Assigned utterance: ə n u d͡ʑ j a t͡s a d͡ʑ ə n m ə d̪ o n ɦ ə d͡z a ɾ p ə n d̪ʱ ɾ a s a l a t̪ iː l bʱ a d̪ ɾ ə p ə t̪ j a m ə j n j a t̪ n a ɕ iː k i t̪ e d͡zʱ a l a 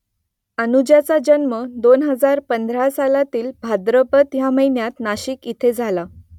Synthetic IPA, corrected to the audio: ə n u d͡ʑ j a t͡s a d͡ʑ ə n m ə d̪ o n ɦ ə d͡z a ɾ p ə n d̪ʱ ɾ a s a l a t̪ iː l bʱ a d̪ ɾ ə p ə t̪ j a m ə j n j a t̪ n a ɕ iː k i t̪ʰ e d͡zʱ a l a